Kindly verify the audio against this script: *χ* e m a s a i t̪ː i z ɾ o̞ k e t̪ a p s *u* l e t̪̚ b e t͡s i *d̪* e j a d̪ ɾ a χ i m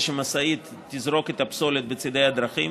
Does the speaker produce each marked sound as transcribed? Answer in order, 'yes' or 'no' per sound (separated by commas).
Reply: no, no, yes